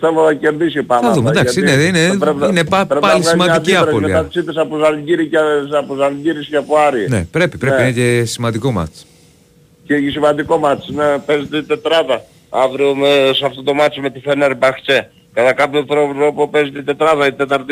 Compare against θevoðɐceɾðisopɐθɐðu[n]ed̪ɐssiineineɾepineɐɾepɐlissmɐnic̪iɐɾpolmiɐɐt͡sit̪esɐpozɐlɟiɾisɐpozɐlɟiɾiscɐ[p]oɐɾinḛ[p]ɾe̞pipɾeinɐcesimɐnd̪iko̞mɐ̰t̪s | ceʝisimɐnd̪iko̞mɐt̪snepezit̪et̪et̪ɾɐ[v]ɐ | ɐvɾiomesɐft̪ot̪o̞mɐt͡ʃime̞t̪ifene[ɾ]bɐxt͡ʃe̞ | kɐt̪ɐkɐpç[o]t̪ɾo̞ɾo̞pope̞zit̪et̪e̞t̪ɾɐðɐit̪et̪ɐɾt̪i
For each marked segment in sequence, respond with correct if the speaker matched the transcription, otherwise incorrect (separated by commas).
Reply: incorrect, correct, correct, incorrect, correct, correct